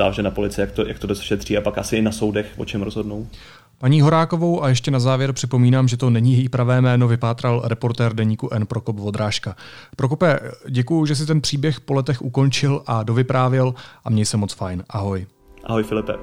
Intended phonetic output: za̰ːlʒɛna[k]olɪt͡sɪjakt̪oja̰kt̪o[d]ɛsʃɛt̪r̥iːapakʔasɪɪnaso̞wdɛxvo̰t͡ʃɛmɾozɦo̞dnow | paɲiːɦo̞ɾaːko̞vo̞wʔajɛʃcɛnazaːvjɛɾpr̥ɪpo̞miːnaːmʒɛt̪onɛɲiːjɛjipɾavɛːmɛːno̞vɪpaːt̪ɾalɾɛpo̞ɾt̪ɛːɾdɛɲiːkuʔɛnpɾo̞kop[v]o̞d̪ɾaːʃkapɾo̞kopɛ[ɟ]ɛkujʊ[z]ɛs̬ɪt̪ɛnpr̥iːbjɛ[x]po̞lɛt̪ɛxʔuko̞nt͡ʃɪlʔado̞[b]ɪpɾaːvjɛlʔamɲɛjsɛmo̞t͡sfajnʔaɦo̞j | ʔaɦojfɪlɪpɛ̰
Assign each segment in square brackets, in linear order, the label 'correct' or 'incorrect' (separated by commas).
incorrect, correct, correct, correct, incorrect, correct, incorrect